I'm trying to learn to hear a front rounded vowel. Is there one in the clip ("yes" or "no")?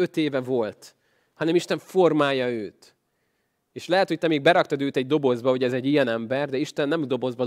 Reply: yes